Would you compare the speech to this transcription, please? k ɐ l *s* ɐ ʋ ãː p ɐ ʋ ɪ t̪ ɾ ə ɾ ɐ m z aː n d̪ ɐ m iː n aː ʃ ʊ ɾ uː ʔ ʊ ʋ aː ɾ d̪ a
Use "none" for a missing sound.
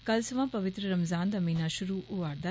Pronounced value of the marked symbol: s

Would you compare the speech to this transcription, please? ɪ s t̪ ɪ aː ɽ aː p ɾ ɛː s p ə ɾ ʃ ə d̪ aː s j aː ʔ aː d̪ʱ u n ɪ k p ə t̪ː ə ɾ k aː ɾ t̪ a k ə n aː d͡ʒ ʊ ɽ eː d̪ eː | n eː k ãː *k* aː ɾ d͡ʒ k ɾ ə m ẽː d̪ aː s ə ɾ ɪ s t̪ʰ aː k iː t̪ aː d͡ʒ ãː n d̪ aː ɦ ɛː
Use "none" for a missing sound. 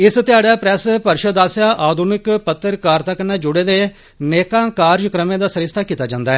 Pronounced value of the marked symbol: k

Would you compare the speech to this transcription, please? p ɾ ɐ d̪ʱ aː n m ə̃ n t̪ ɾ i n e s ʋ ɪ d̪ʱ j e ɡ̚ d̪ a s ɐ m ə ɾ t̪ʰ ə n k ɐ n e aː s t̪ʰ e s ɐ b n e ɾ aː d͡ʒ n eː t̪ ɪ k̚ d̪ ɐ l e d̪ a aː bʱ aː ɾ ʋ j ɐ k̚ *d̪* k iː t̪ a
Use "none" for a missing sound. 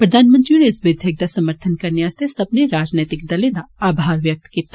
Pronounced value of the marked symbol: t̪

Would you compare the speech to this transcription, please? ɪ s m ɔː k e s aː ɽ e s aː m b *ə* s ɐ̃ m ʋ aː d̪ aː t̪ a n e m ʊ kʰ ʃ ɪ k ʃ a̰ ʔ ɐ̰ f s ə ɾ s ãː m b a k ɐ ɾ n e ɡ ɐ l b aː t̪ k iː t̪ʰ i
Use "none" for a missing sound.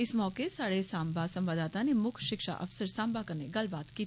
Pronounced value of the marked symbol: a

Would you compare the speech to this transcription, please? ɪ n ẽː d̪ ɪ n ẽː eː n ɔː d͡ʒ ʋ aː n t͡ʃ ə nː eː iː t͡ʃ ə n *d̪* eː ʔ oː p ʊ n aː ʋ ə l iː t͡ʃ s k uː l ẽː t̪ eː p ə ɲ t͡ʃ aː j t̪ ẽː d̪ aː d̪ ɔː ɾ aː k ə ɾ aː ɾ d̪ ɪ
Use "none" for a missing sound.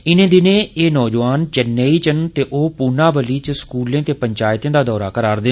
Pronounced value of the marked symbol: t̪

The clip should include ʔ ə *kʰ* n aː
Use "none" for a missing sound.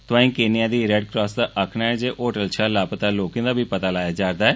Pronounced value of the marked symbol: kʰ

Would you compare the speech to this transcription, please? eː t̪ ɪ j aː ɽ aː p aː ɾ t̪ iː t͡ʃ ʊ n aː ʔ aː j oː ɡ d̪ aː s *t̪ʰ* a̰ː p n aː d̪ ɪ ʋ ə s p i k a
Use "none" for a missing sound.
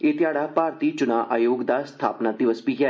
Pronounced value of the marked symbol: t̪ʰ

